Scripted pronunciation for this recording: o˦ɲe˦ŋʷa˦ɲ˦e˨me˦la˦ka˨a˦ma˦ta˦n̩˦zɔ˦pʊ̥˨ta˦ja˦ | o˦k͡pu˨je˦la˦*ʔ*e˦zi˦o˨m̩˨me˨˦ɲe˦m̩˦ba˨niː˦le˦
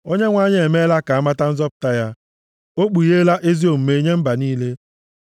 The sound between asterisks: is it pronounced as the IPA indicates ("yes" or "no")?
yes